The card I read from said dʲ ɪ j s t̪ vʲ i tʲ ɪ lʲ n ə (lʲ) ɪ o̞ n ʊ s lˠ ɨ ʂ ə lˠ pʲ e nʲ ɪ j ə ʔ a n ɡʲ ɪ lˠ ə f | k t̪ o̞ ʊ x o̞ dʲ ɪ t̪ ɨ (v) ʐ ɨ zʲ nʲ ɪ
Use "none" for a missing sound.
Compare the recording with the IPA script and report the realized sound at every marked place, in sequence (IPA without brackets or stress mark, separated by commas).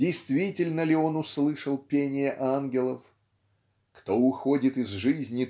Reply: lʲ, z